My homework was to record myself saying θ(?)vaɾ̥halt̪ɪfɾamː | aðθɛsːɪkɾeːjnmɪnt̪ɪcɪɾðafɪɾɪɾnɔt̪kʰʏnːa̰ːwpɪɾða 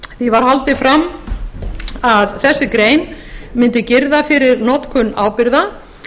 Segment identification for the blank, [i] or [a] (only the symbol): i